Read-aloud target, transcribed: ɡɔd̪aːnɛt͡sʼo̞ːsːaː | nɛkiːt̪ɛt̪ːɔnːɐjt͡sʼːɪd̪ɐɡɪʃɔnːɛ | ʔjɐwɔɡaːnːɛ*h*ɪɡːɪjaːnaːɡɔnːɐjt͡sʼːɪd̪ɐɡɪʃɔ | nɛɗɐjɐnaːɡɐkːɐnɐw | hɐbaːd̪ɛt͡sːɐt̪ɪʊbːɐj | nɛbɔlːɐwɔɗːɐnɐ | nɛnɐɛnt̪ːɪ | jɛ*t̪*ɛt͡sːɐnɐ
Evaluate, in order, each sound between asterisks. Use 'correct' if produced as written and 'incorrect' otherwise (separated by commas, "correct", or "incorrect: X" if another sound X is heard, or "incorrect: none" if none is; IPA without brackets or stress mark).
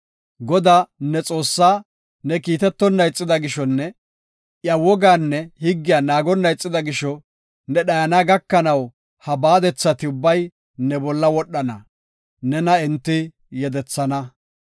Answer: correct, incorrect: d̪